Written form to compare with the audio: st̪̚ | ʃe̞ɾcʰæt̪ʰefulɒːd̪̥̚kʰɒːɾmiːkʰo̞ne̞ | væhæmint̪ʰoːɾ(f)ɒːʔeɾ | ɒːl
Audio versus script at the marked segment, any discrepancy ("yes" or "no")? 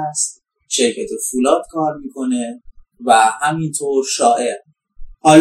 yes